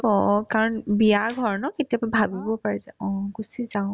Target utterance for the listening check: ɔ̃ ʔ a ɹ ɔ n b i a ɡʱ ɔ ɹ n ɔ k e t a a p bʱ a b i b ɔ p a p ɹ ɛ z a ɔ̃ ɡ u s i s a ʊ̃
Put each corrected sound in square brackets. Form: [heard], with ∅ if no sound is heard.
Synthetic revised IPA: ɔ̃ [k] a ɹ ɔ n b i a ɡʱ ɔ ɹ n ɔ k e t [i] a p bʱ a b i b ɔ p a [∅] ɹ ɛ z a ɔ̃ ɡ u s i [z] a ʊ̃